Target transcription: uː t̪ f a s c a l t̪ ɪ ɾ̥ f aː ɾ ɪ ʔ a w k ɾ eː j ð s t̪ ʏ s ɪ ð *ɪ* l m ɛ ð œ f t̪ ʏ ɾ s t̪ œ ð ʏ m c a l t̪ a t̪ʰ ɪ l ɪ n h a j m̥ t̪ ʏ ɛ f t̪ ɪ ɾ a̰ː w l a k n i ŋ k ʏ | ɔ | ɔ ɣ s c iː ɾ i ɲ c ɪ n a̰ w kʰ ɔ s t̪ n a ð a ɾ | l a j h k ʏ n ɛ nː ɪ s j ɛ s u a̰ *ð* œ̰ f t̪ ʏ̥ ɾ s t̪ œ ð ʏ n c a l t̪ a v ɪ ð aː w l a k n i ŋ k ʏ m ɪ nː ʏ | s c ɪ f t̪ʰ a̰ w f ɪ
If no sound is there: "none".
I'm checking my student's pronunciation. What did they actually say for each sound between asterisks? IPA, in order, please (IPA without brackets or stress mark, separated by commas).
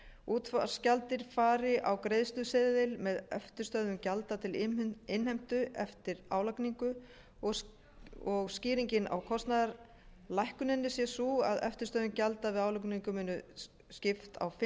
ɪ, ð